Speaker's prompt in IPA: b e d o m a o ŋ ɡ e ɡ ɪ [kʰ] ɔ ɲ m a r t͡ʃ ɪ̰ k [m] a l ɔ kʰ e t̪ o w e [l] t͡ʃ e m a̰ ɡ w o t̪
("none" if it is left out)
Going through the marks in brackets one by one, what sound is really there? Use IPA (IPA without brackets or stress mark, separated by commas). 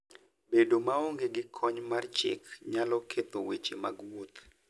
kʰ, ɲ, none